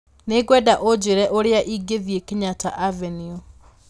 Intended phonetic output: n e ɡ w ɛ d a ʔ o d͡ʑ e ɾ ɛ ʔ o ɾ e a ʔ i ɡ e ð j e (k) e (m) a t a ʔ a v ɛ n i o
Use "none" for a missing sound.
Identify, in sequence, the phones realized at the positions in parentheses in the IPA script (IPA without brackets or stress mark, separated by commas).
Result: k, ɲ